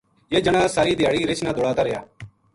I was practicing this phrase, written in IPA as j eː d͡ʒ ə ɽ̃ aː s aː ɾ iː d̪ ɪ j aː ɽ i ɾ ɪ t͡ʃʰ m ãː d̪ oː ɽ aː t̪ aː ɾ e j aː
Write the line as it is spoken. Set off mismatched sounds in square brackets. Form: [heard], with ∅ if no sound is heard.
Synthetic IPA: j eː d͡ʒ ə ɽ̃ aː s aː ɾ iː d̪ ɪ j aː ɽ i ɾ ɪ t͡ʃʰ [n] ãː d̪ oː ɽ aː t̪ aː ɾ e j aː

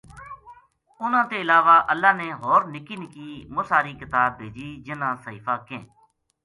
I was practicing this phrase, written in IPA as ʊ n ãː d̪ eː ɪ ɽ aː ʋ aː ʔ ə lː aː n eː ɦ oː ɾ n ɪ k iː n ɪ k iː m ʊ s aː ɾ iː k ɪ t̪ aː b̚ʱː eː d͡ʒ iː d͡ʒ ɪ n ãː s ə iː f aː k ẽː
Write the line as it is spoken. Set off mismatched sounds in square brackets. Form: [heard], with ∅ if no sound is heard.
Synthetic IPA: ʊ n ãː [t̪] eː ɪ [l] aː ʋ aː ʔ ə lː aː n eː ɦ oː ɾ n ɪ k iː n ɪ k iː m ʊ s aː ɾ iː k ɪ t̪ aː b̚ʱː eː d͡ʒ iː d͡ʒ ɪ n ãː s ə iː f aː k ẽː

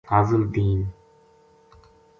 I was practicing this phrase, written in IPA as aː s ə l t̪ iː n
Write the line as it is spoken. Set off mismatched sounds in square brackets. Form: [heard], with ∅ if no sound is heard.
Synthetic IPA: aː [z] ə l [d̪] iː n

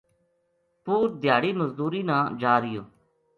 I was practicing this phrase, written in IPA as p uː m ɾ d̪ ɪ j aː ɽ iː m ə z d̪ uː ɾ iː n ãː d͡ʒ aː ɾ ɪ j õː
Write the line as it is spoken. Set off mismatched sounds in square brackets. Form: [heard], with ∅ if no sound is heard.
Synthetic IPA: p uː [∅] ɾ d̪ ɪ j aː ɽ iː m ə z d̪ uː ɾ iː n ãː d͡ʒ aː ɾ ɪ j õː

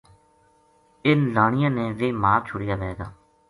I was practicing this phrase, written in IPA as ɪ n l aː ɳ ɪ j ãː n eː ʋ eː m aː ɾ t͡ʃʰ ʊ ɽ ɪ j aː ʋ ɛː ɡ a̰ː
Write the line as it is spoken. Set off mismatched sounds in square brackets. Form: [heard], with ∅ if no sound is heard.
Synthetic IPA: ɪ n l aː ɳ ɪ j ãː n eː ʋ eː m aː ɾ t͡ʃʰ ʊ ɽ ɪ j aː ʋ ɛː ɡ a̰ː

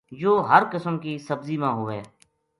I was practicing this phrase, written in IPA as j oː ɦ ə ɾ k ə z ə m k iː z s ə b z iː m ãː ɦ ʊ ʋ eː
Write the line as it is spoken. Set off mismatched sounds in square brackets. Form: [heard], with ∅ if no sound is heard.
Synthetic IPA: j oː ɦ ə ɾ k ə [s] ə m k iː [∅] s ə b z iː m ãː ɦ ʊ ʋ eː

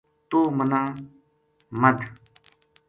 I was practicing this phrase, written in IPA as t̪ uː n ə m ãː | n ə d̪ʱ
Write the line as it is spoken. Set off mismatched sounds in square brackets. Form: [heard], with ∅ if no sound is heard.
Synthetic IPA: t̪ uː [m] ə [n] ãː | [m] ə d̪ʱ

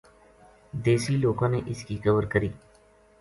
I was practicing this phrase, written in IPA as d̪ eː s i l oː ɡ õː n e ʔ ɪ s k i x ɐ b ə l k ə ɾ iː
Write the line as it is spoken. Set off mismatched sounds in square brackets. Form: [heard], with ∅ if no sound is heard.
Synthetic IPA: d̪ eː s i l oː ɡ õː n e ʔ ɪ s k i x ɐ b ə [ɾ] k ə ɾ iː

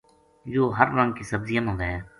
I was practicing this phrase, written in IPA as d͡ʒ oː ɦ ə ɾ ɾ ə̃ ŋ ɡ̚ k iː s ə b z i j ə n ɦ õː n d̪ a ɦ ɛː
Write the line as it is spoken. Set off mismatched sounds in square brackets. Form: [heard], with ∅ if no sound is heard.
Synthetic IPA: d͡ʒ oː ɦ ə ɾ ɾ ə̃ ŋ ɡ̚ k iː s ə b z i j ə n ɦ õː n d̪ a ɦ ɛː

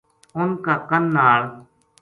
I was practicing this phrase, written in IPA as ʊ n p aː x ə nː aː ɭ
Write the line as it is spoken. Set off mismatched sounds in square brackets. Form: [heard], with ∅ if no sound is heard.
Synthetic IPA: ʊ n [k] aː [k] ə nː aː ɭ

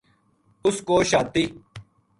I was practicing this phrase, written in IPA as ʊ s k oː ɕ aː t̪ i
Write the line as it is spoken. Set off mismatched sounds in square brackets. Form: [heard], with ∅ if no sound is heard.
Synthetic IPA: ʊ s k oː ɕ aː t̪ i

